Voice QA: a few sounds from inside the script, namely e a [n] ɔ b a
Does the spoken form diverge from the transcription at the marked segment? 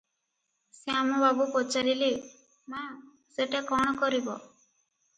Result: yes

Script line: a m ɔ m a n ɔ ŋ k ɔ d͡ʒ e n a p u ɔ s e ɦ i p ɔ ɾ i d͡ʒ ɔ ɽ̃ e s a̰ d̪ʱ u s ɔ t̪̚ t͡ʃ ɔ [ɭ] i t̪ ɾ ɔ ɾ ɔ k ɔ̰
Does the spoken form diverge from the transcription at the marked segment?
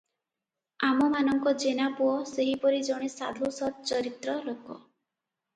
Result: yes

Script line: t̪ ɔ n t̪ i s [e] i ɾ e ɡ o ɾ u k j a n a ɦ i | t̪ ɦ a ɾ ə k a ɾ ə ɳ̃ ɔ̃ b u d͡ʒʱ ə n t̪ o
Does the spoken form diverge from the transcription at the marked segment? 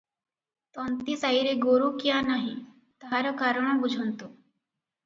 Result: yes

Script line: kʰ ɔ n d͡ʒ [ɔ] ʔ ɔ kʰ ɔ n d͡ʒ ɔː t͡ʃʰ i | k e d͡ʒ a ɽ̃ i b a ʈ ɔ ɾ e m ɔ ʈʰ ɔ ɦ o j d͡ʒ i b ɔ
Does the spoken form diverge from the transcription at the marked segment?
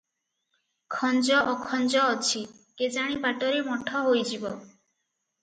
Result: no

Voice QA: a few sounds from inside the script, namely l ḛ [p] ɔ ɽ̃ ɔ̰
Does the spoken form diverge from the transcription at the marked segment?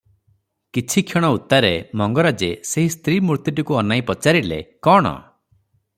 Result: yes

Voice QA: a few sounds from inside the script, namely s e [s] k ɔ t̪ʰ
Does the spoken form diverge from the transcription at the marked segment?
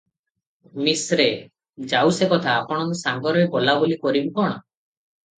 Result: yes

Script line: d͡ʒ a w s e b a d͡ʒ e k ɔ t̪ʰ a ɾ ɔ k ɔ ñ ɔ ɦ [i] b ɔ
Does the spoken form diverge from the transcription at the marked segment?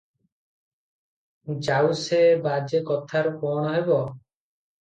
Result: yes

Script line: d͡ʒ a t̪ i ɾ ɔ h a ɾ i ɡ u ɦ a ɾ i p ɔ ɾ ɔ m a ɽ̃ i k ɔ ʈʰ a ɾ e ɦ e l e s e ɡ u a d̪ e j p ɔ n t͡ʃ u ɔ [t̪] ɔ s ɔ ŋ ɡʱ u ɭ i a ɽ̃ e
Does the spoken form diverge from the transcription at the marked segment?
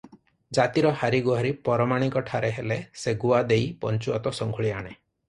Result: no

